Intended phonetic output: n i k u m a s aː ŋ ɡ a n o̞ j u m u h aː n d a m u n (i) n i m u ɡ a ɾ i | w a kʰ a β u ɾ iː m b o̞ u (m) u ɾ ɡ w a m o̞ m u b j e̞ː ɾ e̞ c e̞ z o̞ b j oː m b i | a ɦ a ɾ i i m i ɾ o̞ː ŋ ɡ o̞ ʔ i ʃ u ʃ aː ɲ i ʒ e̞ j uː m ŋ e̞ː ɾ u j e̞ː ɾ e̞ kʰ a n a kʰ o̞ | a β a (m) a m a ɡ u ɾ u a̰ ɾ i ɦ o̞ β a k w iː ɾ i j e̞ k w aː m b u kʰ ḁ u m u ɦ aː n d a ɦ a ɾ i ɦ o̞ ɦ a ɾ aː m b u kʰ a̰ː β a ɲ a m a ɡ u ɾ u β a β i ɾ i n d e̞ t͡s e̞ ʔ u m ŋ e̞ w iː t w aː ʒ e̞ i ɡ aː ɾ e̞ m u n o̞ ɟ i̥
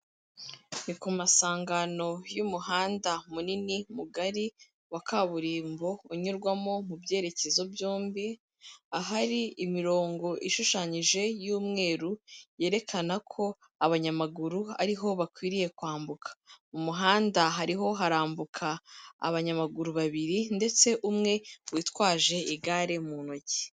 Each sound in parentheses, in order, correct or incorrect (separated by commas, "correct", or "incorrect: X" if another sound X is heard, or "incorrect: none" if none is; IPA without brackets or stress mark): correct, incorrect: ɲ, incorrect: ɲ